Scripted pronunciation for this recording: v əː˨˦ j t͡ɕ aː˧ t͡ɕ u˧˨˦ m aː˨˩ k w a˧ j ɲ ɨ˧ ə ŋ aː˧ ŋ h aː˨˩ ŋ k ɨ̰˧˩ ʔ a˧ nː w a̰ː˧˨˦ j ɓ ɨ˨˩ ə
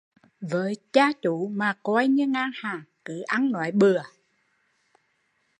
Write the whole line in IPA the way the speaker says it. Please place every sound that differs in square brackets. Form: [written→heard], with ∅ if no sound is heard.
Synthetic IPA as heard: v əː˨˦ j t͡ɕ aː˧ t͡ɕ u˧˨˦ m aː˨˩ k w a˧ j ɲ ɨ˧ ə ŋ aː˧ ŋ h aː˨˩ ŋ k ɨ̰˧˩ ʔ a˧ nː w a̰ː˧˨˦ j ɓ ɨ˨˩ ə